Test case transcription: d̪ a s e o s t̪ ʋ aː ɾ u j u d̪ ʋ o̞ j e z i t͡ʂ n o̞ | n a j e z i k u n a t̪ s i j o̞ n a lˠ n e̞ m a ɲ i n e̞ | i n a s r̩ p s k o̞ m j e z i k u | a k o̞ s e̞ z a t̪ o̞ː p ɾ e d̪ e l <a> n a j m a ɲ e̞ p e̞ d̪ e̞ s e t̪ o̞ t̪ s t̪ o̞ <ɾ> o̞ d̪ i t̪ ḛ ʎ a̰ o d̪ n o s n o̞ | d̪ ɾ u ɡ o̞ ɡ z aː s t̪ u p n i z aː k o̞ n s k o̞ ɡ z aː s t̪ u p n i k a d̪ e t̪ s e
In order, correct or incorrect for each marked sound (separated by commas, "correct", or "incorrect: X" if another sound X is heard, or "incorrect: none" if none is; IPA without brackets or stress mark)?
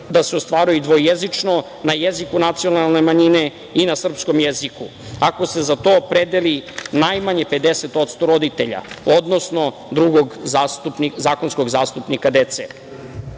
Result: incorrect: i, correct